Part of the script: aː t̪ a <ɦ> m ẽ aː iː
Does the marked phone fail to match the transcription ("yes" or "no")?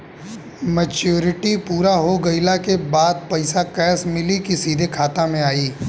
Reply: yes